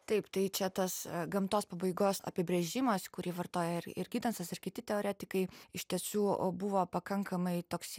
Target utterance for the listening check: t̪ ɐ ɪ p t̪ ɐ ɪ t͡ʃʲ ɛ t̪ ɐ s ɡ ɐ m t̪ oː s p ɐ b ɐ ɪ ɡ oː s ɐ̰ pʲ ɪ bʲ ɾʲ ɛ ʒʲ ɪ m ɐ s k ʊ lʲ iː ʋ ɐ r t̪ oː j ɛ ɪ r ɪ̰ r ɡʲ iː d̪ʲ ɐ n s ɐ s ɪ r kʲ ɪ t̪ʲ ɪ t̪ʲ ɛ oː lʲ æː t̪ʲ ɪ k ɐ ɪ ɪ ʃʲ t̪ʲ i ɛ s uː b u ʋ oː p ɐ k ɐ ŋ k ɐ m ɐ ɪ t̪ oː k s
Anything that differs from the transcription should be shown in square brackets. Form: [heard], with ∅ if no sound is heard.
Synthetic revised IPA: t̪ ɐ ɪ p t̪ ɐ ɪ t͡ʃʲ ɛ t̪ ɐ s ɡ ɐ m t̪ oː s p ɐ b ɐ ɪ ɡ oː s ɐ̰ pʲ ɪ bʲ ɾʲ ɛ ʒʲ ɪ m ɐ s k ʊ [ɾʲ] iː ʋ ɐ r t̪ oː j ɛ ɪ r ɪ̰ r ɡʲ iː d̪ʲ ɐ n s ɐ s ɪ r kʲ ɪ t̪ʲ ɪ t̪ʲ ɛ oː [ɾʲ] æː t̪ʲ ɪ k ɐ ɪ ɪ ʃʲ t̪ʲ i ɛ s uː b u ʋ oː p ɐ k ɐ ŋ k ɐ m ɐ ɪ t̪ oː k s